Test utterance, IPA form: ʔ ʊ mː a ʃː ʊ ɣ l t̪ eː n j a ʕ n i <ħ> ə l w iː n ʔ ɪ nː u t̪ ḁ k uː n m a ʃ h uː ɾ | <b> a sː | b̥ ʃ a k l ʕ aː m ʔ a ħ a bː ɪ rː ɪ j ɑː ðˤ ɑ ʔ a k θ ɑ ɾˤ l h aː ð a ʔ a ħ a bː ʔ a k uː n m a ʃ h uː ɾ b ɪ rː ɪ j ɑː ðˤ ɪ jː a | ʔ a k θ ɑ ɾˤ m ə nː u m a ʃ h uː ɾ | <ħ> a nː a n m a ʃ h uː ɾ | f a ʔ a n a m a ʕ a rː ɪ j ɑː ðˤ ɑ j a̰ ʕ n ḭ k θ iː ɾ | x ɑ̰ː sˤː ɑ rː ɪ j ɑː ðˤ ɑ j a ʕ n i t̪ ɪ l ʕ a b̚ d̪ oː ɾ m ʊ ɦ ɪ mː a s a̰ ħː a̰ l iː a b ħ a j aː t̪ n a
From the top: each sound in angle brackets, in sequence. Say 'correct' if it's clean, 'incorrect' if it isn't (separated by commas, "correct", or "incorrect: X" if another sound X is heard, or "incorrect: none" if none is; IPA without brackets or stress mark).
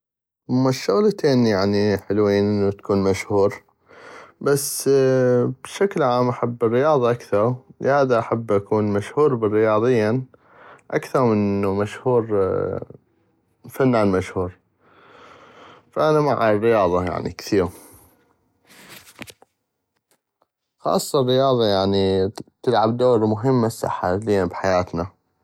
correct, correct, incorrect: f